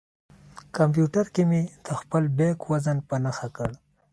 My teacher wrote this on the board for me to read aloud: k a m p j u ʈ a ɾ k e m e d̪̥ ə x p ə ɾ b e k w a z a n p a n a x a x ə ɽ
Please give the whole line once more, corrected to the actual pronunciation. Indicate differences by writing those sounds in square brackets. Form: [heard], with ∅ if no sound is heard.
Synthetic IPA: k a m p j u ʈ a ɾ k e m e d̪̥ ə x p ə [l] b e k w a z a n p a n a x a [k] ə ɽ